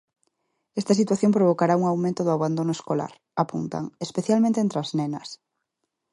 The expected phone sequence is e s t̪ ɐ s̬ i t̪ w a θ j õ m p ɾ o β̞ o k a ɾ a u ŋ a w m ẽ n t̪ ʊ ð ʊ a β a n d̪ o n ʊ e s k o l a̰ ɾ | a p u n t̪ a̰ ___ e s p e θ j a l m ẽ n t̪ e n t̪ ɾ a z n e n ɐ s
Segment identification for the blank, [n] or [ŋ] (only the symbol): ŋ